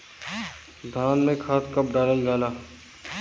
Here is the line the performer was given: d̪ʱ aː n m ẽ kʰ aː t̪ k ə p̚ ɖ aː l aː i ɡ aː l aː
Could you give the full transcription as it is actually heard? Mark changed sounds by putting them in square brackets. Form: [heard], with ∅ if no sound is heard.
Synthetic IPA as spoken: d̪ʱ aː n m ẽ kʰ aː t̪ k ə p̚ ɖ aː l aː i ɡ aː l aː

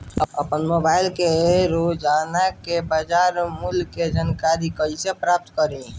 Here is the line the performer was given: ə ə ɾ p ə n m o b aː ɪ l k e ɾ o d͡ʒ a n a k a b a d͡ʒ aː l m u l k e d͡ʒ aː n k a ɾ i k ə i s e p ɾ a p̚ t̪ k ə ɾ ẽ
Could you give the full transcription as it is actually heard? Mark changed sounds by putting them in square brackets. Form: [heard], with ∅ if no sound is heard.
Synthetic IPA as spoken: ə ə [∅] p ə n m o b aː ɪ l k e ɾ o d͡ʒ a n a k [e] b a d͡ʒ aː [ɾ] m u l k e d͡ʒ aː n k a ɾ i k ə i s e p ɾ a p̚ t̪ k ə ɾ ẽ

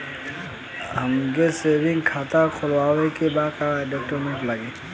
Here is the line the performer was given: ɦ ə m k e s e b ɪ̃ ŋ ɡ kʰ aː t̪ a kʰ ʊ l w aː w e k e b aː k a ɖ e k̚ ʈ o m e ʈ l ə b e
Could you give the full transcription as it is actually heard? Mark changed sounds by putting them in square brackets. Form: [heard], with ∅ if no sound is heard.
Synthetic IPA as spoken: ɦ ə m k e s e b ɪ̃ ŋ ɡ kʰ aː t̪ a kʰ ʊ l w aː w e k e b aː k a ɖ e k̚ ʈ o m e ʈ l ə [ɡ] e

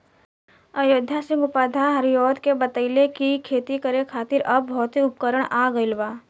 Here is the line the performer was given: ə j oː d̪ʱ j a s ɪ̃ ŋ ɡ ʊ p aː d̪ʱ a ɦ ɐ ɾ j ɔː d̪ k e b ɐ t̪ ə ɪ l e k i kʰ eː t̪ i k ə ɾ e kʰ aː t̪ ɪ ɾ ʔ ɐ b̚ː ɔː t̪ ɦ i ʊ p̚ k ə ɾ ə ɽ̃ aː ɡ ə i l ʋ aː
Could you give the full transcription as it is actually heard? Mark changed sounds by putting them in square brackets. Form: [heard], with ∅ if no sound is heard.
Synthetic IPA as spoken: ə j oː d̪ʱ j a s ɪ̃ ŋ ɡ ʊ p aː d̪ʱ a ɦ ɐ ɾ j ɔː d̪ k e b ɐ t̪ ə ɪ l e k i kʰ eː t̪ i k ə ɾ e kʰ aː t̪ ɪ ɾ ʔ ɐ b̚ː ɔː t̪ ɦ i ʊ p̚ k ə ɾ ə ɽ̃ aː ɡ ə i l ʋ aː

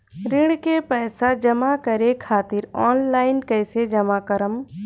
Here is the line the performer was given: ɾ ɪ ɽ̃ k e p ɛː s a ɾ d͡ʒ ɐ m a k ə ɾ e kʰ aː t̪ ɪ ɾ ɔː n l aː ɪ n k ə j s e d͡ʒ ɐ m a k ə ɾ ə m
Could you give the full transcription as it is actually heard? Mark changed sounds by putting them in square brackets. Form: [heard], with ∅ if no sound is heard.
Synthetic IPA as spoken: ɾ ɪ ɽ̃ k e p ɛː s a [∅] d͡ʒ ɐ m a k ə ɾ e kʰ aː t̪ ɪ ɾ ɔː n l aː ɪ n k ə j s e d͡ʒ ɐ m a k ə ɾ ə m

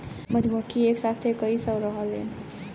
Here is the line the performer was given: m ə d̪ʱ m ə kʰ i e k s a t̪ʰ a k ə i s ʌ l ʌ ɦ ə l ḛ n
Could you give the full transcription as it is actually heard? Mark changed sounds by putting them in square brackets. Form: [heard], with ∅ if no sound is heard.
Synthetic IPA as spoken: m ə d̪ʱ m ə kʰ i e k s a t̪ʰ [e] k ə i s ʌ [ɾ] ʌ ɦ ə l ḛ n

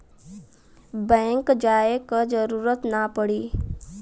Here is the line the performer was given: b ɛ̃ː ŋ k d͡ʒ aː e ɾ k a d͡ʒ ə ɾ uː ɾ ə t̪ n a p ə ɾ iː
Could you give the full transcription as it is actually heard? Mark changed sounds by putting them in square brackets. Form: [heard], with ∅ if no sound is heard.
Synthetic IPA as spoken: b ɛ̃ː ŋ k d͡ʒ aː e [∅] k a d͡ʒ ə ɾ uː ɾ ə t̪ n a p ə [ɽ] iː

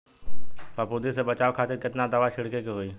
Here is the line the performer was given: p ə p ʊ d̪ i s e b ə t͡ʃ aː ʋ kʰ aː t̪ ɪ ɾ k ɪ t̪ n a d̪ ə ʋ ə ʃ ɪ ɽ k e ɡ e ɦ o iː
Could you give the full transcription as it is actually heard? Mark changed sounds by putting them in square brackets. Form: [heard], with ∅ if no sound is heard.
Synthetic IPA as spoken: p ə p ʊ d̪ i s e b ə t͡ʃ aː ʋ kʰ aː t̪ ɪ ɾ k ɪ t̪ n a d̪ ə ʋ [a] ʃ ɪ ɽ k e [k] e ɦ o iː

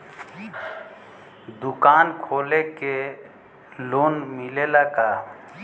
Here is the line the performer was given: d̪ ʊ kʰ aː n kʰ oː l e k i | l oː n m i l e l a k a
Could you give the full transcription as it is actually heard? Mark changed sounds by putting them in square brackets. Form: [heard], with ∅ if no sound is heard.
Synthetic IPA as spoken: d̪ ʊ [k] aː n kʰ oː l e k [e] | l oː n m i l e l a k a

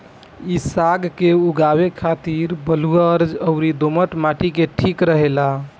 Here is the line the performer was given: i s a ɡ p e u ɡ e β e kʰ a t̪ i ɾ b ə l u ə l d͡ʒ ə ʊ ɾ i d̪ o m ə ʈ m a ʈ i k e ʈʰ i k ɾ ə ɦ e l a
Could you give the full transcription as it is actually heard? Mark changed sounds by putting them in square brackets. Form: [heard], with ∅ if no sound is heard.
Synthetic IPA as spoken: i s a ɡ [k] e u ɡ [a] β e kʰ a t̪ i ɾ b ə l u ə [ɾ] d͡ʒ ə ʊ ɾ i d̪ o m ə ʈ m a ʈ i k e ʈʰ i k ɾ ə ɦ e l a

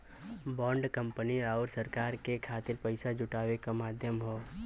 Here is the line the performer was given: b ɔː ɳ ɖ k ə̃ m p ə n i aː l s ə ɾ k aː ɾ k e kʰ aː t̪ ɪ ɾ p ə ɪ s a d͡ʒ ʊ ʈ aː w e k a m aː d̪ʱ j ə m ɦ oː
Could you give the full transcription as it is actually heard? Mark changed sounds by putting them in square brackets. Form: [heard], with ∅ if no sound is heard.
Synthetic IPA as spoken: b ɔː ɳ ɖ k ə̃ m p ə n i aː [ɾ] s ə ɾ k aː ɾ k e kʰ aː t̪ ɪ ɾ p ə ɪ s a d͡ʒ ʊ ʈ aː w e k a m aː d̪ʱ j ə m ɦ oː

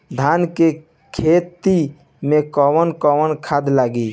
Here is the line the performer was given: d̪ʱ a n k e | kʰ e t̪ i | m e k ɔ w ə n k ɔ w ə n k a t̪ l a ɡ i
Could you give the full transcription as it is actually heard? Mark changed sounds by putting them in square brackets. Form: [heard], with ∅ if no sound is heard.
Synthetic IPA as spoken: d̪ʱ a n k e | kʰ e t̪ i | m e k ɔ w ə n k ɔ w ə n [kʰ] a [d̪] l a ɡ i

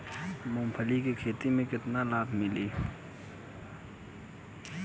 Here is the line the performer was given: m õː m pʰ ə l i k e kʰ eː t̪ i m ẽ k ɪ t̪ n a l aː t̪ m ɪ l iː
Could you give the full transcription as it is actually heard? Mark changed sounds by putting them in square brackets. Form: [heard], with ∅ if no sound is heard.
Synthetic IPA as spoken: m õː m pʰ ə l i k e kʰ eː t̪ i m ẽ k ɪ t̪ n a l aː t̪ m ɪ l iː

